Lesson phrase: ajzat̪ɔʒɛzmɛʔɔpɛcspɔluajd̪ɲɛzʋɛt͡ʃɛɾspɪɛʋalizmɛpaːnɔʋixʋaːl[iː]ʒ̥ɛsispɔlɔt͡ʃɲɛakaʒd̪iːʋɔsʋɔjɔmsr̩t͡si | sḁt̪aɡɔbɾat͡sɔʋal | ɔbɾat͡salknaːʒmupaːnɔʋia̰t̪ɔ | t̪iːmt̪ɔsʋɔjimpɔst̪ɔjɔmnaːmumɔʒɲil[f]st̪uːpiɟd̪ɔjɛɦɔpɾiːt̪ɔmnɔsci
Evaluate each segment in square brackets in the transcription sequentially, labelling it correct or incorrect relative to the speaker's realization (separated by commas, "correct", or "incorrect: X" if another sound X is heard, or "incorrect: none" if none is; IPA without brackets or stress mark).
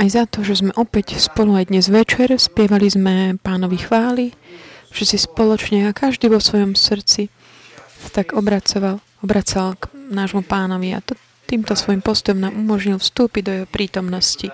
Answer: incorrect: i, correct